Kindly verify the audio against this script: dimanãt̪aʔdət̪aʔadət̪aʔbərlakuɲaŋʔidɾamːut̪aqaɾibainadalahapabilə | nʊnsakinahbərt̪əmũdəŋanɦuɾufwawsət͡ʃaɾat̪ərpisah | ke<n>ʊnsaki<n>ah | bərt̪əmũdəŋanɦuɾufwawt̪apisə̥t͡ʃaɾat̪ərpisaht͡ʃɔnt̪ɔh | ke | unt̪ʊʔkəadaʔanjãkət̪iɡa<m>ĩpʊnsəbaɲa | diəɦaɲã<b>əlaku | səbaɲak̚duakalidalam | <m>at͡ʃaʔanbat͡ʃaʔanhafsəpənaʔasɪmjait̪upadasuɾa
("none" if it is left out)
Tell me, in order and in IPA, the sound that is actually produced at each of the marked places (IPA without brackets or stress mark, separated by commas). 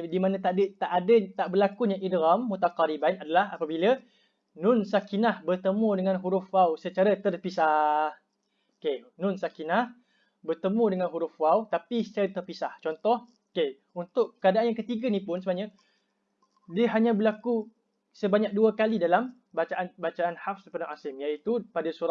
n, n, n, b, b